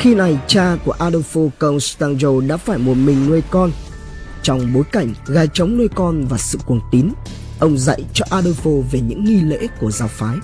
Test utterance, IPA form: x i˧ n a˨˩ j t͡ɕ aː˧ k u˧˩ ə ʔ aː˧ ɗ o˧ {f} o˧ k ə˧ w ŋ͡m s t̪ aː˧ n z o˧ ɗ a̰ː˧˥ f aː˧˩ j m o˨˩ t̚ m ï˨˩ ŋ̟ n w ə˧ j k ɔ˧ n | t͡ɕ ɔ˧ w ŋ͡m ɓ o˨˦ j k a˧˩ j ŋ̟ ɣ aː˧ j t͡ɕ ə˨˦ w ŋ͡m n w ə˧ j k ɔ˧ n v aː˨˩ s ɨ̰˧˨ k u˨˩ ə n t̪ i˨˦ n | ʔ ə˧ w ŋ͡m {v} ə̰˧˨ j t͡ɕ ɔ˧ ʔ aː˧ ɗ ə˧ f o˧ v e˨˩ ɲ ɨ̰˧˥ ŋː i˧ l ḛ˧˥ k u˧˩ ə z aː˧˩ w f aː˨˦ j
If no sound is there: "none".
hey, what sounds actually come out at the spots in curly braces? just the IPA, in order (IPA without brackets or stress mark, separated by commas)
f, z